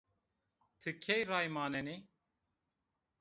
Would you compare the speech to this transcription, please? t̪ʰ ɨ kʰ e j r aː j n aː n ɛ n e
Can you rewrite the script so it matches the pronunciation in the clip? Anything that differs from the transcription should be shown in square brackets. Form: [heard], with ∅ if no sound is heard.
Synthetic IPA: t̪ʰ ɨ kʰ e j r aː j [m] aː n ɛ n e